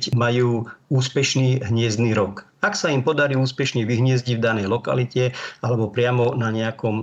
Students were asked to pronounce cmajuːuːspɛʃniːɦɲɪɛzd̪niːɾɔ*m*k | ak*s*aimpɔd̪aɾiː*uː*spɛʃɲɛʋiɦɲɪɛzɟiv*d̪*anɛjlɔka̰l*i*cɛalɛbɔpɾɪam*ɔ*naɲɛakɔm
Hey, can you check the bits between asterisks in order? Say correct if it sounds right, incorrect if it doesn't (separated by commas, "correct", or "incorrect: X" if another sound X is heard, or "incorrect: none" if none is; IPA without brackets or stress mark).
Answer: incorrect: none, correct, correct, correct, correct, correct